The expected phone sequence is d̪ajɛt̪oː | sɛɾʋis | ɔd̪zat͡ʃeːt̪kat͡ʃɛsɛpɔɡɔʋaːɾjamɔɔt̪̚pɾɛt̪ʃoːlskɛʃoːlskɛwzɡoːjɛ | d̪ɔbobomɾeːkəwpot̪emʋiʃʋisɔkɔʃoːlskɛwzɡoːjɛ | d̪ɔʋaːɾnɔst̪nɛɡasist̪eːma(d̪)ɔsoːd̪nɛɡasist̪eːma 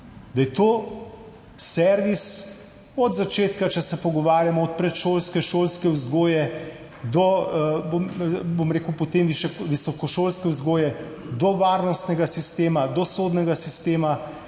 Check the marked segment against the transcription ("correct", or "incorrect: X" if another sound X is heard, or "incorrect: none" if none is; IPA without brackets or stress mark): correct